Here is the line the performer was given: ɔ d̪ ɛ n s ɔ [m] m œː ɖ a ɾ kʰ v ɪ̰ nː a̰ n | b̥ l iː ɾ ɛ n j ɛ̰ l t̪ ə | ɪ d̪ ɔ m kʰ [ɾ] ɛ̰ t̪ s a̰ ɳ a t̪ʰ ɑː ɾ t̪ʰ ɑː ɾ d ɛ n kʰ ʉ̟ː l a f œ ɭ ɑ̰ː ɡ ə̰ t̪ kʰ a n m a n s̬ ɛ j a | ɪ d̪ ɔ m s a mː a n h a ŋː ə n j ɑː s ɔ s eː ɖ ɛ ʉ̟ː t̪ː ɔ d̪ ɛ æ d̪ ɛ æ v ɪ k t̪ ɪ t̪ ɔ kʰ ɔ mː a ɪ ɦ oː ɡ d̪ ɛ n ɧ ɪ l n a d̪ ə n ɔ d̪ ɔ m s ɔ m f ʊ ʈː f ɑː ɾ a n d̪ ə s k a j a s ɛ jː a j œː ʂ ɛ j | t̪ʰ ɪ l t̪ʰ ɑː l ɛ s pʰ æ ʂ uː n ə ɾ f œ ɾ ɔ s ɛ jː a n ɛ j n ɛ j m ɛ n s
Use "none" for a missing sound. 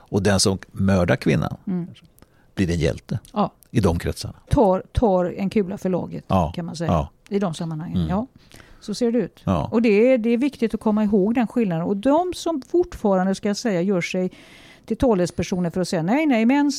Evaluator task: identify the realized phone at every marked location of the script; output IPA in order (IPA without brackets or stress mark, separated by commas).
m, ɾ